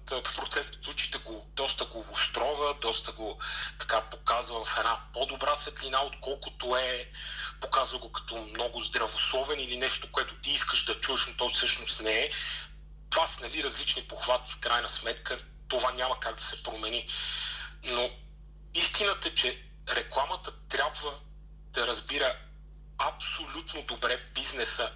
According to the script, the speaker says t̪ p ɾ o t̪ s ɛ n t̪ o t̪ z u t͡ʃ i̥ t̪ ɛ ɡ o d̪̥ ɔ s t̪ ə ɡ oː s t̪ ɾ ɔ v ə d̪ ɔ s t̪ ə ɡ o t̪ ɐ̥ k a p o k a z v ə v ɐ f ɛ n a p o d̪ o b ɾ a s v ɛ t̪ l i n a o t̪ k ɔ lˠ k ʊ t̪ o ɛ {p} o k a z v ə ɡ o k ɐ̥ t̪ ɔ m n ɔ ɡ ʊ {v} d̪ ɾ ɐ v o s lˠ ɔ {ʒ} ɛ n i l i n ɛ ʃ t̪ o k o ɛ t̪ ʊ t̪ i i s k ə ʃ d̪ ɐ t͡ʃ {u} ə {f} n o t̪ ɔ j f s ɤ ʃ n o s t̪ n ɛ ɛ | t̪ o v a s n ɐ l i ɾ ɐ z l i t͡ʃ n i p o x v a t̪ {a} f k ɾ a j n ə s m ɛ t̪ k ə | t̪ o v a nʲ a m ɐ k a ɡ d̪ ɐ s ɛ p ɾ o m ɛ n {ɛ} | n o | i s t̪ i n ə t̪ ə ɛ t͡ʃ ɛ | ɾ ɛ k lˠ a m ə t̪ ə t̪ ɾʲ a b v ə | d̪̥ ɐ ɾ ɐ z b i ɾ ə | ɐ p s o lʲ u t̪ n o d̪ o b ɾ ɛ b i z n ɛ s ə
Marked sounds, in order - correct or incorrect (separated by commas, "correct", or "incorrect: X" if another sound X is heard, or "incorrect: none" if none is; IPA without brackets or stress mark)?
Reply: correct, incorrect: z, incorrect: v, correct, incorrect: ʃ, incorrect: i, incorrect: i